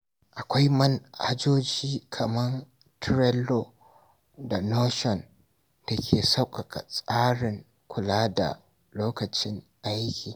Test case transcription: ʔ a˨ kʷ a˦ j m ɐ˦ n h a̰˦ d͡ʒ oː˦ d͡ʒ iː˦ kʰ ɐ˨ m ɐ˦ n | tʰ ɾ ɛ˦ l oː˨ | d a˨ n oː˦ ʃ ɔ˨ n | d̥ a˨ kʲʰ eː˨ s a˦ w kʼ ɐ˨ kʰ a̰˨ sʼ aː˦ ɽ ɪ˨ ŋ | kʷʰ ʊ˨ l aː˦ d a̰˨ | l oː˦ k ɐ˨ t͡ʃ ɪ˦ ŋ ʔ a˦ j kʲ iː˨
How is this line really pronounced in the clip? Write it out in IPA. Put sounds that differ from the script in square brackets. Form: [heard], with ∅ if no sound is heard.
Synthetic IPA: ʔ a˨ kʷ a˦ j m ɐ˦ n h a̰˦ d͡ʒ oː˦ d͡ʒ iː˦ kʰ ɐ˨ m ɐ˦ n | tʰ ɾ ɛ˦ l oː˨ | d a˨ n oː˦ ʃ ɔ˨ n | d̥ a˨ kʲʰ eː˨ s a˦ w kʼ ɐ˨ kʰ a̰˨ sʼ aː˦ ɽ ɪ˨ ŋ | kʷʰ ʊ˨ l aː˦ d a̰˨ | l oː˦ k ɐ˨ t͡ʃ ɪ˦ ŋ ʔ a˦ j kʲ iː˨